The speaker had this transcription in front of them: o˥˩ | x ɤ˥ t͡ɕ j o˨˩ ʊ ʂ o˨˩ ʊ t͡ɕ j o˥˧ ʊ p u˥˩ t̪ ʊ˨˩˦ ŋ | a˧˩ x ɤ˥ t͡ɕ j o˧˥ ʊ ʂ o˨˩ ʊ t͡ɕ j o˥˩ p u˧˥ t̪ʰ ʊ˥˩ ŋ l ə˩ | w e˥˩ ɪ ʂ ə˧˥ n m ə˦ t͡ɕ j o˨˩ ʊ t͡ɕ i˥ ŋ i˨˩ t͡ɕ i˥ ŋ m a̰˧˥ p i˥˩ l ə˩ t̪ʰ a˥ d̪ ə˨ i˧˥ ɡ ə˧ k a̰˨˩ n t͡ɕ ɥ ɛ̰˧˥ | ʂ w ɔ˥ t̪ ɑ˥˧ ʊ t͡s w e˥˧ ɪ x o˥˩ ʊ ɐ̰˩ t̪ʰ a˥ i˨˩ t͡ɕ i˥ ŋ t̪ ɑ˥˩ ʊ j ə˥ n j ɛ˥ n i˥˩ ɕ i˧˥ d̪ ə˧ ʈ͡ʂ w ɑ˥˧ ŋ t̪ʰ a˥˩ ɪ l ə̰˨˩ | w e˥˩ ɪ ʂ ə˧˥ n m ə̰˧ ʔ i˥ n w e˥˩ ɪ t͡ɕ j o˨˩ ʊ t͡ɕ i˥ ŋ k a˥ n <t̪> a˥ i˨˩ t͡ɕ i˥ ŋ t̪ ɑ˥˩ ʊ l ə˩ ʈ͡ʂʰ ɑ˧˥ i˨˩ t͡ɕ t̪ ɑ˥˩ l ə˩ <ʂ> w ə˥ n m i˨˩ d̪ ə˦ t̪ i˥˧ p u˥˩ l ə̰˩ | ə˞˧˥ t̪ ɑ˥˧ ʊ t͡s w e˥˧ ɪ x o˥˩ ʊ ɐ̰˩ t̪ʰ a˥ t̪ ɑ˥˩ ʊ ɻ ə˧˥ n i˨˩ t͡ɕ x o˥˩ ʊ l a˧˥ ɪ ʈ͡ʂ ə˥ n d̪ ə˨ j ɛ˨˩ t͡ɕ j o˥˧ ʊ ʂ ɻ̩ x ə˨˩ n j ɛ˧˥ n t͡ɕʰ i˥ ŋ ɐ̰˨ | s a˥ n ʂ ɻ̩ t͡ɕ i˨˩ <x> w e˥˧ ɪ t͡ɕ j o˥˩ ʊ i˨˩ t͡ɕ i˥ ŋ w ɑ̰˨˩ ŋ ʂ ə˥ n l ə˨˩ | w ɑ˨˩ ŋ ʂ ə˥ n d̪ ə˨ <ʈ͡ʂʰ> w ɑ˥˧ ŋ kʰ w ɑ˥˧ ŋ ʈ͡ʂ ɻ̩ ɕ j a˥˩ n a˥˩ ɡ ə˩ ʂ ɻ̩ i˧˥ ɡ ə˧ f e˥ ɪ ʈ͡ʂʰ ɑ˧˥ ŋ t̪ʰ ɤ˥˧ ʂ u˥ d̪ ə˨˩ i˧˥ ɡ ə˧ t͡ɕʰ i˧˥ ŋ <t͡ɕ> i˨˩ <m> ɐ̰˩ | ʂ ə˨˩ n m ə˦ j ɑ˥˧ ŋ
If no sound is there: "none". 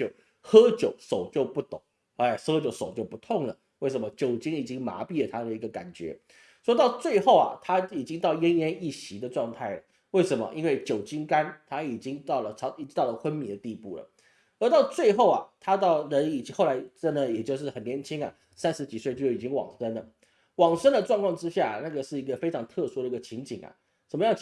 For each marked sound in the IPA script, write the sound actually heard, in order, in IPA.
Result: t̪ʰ, x, s, ʈ͡ʂ, t͡ɕ, ŋ

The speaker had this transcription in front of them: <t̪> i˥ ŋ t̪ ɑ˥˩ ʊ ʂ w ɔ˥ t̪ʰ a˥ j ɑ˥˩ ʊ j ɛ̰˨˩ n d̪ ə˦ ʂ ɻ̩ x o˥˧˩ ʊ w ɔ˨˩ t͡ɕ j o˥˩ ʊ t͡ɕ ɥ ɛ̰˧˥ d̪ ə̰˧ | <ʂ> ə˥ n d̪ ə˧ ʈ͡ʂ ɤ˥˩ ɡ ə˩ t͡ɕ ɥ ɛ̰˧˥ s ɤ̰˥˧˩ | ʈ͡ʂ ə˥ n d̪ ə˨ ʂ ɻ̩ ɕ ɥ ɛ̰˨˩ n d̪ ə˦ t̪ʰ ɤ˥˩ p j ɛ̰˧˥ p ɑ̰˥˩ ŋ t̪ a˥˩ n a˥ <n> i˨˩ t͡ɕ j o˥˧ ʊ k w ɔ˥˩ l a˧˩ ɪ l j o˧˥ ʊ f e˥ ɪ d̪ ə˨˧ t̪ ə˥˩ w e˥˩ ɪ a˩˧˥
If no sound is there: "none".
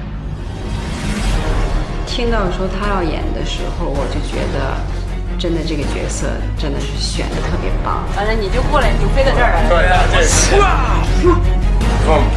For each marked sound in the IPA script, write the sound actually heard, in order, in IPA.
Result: t̪ʰ, ʈ͡ʂ, n

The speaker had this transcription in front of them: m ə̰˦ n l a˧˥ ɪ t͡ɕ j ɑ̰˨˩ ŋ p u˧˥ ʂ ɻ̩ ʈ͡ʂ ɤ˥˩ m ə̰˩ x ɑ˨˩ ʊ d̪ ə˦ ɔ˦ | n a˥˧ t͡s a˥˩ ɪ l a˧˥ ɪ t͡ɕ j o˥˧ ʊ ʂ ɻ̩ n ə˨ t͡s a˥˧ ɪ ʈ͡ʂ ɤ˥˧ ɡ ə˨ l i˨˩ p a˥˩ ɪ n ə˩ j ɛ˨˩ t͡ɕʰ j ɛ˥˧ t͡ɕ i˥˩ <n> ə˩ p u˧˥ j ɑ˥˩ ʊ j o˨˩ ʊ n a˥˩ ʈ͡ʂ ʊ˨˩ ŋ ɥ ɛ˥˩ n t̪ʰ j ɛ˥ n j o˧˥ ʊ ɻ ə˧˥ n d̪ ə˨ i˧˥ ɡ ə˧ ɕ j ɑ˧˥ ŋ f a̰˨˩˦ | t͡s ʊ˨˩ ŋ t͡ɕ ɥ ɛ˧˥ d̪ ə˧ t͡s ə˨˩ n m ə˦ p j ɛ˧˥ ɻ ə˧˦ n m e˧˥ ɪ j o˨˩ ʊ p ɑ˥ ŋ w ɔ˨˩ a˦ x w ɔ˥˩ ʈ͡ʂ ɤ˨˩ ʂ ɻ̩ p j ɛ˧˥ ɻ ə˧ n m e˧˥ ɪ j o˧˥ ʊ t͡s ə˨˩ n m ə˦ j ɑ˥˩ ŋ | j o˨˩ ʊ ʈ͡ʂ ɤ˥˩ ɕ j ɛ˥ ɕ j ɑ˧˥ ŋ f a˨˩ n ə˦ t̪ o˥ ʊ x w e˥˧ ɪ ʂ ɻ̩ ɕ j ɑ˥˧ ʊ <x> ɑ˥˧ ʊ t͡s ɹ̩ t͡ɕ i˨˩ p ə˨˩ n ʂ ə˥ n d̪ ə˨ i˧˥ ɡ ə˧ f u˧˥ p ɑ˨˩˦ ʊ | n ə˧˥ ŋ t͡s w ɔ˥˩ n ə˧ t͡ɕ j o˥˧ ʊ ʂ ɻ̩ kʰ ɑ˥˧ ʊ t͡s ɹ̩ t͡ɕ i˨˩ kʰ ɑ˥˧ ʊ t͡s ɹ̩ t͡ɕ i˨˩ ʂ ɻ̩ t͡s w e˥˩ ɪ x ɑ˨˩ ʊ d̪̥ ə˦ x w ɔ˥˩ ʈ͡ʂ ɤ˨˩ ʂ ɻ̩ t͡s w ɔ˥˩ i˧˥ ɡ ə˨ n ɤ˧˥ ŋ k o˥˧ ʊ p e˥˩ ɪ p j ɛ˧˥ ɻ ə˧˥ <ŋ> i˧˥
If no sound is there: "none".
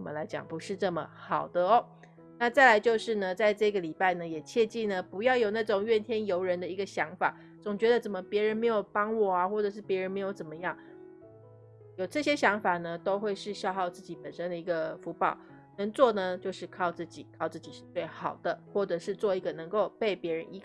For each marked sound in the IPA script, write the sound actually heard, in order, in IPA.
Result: n, x, n

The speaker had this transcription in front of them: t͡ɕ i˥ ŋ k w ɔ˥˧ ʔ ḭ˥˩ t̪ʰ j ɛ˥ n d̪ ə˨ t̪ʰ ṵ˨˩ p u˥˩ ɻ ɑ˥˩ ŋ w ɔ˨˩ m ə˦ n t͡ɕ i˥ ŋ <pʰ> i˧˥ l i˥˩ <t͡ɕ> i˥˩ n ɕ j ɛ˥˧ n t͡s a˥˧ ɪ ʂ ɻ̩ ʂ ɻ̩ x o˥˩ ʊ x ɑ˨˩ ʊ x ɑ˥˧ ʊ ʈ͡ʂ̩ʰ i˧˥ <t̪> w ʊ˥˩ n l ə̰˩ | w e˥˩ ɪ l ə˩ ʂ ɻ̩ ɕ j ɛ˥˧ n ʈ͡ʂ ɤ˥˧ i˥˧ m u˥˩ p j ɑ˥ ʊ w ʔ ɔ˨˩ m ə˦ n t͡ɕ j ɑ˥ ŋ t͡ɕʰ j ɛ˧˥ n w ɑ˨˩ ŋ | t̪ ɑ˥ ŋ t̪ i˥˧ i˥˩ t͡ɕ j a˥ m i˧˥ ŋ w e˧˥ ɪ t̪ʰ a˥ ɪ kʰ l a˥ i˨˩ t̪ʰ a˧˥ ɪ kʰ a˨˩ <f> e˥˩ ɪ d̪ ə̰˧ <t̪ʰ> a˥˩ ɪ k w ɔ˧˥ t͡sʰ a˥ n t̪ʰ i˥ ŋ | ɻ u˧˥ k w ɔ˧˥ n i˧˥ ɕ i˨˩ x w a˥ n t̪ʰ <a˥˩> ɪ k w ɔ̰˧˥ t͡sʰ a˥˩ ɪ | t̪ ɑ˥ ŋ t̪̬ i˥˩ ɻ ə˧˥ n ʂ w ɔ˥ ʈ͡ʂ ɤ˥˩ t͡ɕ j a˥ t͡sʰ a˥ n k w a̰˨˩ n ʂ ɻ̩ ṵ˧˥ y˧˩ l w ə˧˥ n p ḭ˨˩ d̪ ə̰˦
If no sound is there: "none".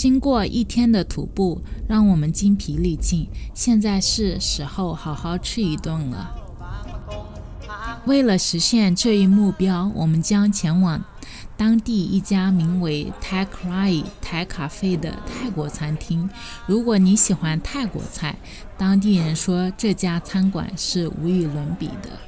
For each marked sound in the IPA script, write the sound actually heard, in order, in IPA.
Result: pʰ, t͡ɕ, t̪, f, t̪ʰ, a˥˩

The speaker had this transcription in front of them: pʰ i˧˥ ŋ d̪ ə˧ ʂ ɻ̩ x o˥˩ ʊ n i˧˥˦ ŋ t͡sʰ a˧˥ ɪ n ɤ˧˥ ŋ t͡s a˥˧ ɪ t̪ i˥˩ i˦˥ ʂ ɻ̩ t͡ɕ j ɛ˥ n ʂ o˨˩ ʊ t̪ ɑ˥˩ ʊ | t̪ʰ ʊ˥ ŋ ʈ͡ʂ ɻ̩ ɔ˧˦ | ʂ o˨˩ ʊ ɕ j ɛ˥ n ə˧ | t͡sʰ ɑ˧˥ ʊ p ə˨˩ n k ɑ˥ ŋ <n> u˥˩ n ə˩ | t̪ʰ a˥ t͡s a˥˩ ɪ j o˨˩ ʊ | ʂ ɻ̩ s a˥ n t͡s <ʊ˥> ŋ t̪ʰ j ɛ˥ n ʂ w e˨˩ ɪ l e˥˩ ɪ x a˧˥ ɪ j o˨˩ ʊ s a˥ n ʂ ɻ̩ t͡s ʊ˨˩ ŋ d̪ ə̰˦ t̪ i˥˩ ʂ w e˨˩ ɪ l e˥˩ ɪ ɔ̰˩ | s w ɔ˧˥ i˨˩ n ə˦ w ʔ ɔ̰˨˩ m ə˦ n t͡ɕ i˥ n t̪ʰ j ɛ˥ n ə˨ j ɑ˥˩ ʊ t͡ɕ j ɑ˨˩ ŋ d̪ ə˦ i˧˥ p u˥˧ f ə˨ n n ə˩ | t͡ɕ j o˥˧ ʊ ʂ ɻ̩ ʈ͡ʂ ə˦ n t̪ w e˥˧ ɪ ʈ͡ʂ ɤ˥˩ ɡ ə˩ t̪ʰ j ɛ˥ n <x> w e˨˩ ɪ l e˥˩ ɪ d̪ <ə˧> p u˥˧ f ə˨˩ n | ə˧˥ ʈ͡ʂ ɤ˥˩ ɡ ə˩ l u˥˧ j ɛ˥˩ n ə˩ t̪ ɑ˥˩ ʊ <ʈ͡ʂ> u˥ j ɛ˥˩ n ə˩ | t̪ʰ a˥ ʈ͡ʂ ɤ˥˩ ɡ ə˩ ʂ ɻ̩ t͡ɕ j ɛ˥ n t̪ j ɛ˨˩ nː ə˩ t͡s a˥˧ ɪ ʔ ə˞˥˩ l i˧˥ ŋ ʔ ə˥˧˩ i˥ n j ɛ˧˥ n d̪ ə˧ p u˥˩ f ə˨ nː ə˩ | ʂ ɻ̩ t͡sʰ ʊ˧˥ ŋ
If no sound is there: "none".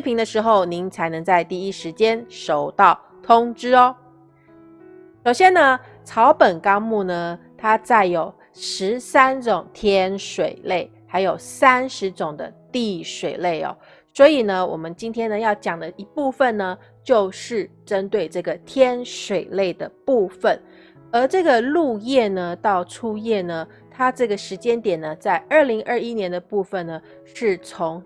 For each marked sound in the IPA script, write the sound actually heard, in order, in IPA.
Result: m, ʊ˨˩, ʂ, ə˩, ʈ͡ʂʰ

